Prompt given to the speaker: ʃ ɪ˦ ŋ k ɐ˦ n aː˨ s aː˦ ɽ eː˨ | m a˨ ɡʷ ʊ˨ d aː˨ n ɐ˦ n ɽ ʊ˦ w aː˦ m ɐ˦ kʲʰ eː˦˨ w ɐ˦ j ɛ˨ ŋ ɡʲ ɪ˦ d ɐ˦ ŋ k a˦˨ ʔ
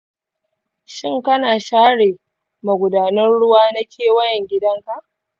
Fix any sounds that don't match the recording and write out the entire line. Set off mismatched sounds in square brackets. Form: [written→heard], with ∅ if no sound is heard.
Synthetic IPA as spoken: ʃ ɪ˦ ŋ k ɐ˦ n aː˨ [s→ʃ] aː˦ ɽ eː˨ | m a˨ ɡʷ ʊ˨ d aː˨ n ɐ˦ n ɽ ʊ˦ w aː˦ [m→n] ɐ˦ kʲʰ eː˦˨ w ɐ˦ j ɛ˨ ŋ ɡʲ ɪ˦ d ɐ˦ ŋ k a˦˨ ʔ

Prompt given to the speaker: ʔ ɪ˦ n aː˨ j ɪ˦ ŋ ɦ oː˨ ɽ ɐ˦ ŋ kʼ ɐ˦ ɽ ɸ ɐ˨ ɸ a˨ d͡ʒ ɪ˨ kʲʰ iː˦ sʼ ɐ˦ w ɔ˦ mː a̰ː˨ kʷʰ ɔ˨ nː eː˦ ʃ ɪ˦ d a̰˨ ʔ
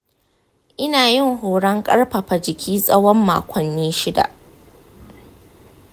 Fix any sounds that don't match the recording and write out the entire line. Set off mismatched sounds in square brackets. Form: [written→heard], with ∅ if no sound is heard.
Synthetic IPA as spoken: ʔ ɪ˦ n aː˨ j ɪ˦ ŋ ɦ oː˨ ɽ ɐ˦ ŋ kʼ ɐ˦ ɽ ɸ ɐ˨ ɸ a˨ d͡ʒ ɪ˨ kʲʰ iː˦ sʼ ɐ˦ w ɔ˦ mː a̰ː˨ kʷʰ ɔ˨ nː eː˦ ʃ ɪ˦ d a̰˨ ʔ

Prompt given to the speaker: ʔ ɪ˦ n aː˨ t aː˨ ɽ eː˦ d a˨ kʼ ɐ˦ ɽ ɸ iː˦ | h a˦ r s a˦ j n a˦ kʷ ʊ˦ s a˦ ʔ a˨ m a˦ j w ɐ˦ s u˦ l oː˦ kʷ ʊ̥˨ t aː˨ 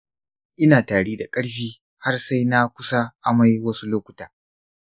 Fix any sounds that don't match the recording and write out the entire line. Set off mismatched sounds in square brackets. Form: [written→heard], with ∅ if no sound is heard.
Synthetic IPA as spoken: ʔ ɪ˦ n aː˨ t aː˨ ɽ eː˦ d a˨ kʼ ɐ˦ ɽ ɸ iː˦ | h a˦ r s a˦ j n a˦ kʷ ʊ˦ s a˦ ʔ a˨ m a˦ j w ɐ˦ s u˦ l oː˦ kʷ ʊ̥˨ t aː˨

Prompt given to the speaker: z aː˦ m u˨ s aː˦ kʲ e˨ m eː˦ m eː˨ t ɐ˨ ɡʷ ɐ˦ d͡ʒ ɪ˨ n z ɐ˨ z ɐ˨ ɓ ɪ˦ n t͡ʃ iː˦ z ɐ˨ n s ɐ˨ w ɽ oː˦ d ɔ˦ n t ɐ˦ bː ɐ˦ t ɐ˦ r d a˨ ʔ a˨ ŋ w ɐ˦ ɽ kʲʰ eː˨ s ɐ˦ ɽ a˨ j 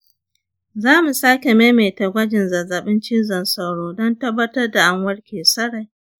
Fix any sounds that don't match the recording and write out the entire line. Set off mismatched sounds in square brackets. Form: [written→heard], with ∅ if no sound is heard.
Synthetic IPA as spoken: z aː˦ m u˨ s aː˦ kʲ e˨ m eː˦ m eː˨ t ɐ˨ ɡʷ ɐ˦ d͡ʒ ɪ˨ n z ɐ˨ z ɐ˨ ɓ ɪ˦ n t͡ʃ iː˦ z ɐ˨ n s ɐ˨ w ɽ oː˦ d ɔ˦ n t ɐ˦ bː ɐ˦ t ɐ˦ r d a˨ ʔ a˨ ŋ w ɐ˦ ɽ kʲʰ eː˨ s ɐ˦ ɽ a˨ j

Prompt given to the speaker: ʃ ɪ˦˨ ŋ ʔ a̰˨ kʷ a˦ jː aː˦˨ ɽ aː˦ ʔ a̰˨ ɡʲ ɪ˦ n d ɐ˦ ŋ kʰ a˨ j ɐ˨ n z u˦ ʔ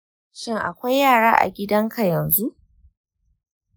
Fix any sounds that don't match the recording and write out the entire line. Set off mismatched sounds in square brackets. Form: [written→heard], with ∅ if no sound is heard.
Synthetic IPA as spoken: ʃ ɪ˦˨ ŋ ʔ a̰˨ kʷ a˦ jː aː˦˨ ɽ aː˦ ʔ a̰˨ ɡʲ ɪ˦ [n→∅] d ɐ˦ ŋ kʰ a˨ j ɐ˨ n z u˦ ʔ

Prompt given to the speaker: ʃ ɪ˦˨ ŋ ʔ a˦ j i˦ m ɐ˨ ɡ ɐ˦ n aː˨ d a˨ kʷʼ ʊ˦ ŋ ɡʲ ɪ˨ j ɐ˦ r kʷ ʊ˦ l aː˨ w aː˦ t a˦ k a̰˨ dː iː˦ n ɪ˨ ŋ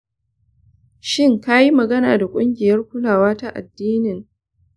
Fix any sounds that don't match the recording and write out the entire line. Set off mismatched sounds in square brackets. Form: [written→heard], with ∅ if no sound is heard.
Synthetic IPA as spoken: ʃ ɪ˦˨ ŋ [ʔ→k] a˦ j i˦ m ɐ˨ ɡ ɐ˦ n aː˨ d a˨ kʷʼ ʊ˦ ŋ ɡʲ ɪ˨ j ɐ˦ r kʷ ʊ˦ l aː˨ w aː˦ t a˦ [k→ʔ] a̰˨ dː iː˦ n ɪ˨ ŋ

